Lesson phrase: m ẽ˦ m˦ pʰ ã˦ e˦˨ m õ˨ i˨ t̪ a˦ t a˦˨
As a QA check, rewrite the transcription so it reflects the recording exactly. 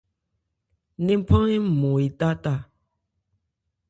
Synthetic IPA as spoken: n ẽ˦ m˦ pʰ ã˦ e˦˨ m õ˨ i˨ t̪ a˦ t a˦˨